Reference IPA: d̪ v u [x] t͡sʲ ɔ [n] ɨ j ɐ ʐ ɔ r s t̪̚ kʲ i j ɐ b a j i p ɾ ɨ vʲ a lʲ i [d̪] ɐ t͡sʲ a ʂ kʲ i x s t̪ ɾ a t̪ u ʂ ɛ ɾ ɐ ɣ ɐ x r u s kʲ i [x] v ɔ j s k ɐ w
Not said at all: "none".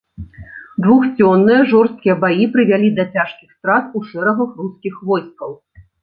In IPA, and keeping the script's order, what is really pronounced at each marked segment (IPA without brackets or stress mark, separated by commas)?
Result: x, nː, d̪, x